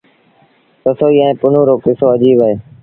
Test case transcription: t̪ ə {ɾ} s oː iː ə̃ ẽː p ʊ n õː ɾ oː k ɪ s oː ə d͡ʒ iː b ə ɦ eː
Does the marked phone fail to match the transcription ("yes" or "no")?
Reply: yes